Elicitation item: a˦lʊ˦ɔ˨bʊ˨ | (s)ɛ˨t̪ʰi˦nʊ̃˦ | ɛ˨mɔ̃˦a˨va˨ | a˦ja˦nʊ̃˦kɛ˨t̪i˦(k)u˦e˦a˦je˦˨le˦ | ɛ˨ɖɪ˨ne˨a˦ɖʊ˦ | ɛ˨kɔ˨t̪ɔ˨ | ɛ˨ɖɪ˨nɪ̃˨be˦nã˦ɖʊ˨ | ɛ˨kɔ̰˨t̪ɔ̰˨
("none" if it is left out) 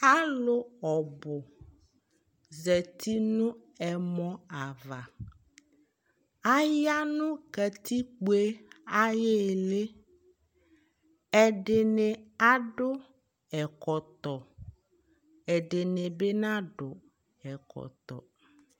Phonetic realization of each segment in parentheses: z, k͡p

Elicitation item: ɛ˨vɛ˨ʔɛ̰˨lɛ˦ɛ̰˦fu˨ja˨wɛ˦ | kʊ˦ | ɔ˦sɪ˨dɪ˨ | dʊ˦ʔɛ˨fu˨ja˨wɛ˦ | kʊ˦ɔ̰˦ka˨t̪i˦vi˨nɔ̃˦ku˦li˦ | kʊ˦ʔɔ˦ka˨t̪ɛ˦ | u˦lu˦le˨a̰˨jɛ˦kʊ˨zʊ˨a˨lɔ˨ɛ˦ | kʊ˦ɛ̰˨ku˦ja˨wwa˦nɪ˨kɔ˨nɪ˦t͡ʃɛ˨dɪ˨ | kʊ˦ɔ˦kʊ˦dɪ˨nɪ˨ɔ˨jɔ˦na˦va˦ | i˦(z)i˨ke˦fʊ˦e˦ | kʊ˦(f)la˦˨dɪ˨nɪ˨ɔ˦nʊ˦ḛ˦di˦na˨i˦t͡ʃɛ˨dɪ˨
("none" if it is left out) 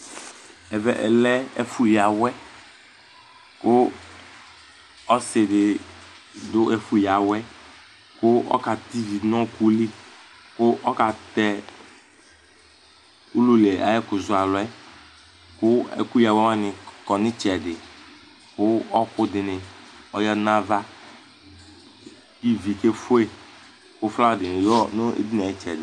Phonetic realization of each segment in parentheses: v, f

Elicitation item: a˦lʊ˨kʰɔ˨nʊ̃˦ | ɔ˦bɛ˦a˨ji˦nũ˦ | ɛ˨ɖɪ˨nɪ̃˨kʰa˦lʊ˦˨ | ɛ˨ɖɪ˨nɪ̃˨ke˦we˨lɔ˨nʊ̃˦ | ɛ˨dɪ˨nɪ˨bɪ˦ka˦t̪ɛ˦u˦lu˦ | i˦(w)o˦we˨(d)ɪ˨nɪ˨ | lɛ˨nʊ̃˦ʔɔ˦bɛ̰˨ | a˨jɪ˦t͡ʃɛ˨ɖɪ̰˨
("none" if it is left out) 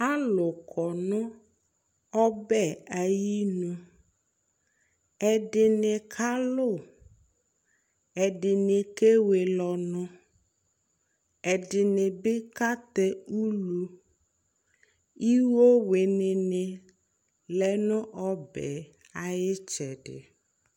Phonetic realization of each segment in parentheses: w, n

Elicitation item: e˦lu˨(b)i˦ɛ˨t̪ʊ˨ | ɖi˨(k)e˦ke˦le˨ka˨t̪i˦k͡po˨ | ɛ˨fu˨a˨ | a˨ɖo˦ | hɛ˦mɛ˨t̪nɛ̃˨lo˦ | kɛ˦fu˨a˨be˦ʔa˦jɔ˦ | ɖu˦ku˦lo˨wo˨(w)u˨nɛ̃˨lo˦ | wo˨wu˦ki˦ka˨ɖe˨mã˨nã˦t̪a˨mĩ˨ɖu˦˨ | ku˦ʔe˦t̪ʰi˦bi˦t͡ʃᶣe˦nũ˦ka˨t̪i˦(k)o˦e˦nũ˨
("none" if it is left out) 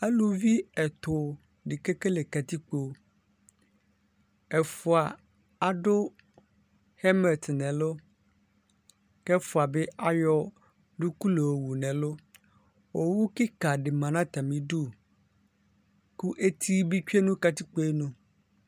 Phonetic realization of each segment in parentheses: v, k, w, k͡p

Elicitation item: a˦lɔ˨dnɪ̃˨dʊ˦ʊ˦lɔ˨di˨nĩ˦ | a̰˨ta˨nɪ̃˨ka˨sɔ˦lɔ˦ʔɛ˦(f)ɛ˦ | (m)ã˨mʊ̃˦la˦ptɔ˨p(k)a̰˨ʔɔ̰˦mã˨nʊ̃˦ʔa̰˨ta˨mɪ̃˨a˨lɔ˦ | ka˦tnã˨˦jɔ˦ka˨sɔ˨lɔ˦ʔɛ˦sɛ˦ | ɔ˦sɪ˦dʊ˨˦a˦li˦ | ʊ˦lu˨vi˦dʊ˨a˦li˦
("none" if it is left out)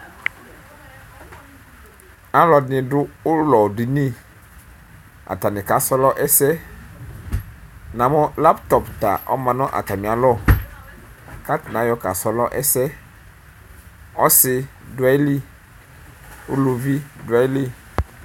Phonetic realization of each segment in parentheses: s, n, t

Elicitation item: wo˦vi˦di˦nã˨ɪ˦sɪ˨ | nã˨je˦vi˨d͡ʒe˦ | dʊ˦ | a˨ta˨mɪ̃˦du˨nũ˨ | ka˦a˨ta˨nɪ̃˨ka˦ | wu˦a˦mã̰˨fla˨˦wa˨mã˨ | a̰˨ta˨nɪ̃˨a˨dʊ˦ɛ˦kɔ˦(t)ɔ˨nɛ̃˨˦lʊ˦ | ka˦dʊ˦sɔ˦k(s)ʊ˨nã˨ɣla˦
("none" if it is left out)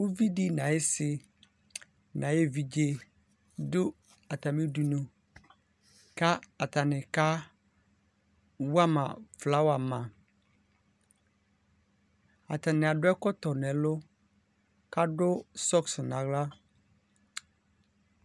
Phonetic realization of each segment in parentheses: t, s

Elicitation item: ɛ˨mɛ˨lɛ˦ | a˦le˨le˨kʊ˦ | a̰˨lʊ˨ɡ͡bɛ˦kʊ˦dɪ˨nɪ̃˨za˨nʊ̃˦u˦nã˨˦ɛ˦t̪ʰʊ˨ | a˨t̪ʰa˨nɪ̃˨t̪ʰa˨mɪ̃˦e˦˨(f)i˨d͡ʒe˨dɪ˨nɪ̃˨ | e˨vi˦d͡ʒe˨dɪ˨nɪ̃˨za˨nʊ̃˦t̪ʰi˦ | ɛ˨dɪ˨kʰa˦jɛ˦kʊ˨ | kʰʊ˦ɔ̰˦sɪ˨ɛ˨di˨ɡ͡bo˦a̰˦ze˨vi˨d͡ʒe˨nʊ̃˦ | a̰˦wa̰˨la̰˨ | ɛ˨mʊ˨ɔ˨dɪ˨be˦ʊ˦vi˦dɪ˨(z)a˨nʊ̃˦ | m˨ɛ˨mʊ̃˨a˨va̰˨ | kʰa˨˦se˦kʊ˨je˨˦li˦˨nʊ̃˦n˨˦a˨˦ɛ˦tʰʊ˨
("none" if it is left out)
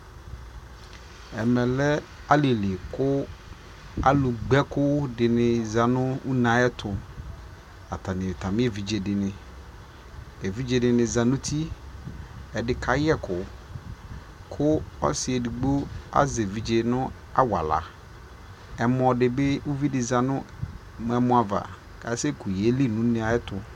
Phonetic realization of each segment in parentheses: v, z

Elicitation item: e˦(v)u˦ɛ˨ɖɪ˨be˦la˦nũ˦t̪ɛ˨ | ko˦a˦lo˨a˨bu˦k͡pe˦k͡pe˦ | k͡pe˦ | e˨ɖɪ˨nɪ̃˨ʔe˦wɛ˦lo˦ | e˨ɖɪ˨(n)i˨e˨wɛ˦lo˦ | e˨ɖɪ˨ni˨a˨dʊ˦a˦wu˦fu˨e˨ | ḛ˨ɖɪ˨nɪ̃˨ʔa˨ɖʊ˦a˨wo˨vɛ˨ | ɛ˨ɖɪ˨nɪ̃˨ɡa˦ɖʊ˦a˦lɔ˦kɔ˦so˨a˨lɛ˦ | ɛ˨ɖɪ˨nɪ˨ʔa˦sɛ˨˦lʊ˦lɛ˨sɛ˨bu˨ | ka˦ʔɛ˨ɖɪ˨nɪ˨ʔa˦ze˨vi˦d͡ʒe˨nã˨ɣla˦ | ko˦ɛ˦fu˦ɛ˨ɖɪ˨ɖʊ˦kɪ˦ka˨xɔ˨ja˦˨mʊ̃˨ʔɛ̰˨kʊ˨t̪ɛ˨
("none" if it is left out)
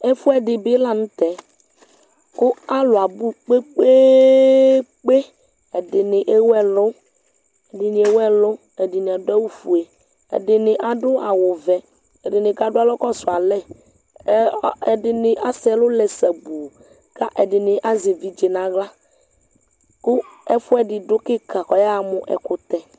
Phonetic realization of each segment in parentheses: f, n

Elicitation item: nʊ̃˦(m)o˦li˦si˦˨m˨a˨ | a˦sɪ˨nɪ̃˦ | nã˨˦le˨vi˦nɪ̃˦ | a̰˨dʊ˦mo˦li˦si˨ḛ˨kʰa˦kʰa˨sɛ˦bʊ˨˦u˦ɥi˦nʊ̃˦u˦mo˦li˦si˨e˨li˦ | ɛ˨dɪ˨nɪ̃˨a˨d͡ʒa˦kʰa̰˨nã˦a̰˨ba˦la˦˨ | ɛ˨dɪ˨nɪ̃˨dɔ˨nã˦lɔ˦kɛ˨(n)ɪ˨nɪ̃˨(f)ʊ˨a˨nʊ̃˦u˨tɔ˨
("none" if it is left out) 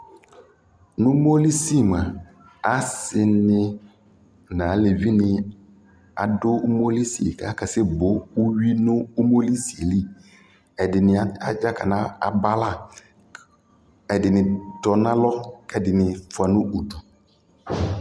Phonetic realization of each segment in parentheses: m, d, f

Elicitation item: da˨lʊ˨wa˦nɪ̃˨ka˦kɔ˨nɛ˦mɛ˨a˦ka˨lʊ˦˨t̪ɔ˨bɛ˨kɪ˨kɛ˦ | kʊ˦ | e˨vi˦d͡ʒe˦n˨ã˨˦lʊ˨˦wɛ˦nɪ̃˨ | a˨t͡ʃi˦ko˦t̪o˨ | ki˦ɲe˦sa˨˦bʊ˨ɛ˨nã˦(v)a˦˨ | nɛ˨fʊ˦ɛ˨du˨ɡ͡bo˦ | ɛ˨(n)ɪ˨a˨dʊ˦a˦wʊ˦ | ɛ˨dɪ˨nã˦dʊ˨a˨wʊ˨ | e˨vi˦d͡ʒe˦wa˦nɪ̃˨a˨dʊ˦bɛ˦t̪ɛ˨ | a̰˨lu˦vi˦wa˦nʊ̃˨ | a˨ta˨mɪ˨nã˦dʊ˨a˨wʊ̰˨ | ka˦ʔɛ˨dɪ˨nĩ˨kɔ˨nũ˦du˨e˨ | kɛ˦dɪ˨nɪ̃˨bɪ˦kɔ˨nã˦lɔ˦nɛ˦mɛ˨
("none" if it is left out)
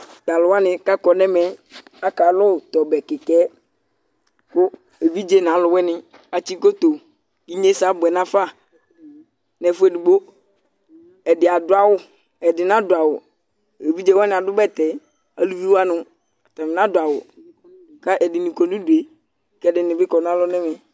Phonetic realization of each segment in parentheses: f, d

